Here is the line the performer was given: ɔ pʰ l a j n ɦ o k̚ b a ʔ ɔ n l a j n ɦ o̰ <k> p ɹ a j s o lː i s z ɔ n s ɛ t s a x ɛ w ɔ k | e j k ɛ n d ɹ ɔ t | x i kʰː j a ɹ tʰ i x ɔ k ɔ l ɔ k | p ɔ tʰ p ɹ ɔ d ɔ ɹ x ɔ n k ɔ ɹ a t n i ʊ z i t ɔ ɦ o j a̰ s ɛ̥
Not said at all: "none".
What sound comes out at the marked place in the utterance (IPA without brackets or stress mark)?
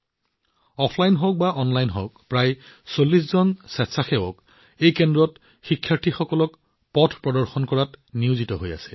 k